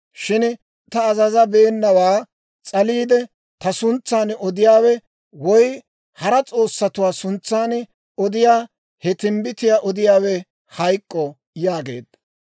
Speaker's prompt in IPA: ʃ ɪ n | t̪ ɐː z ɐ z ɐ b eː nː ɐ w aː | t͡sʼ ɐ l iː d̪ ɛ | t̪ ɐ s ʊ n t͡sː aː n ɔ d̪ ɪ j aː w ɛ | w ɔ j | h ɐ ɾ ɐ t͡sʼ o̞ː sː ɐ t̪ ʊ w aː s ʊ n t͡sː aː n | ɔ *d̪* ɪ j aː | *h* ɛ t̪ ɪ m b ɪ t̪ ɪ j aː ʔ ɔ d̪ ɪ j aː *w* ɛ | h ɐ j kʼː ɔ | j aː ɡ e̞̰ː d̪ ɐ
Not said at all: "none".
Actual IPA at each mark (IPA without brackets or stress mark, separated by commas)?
d̪, h, w